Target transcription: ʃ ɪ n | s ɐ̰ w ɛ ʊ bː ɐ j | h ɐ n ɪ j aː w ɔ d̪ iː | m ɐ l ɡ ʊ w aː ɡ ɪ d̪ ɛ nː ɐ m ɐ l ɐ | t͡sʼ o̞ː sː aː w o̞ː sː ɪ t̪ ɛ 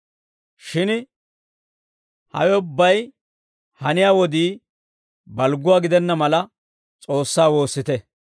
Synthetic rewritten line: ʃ ɪ n | h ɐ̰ w ɛ ʊ bː ɐ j | h ɐ n ɪ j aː w ɔ d̪ iː | b ɐ l ɡ ʊ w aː ɡ ɪ d̪ ɛ nː ɐ m ɐ l ɐ | t͡sʼ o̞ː sː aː w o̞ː sː ɪ t̪ ɛ